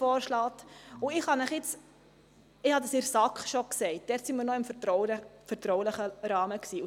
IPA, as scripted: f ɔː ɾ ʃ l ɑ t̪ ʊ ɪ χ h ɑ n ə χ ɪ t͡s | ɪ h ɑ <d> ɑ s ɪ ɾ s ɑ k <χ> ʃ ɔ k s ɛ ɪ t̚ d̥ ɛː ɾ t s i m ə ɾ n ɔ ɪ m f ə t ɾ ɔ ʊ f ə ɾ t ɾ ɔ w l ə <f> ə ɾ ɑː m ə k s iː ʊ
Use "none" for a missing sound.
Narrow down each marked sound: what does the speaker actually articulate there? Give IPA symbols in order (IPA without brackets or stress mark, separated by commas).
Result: d, χ, χ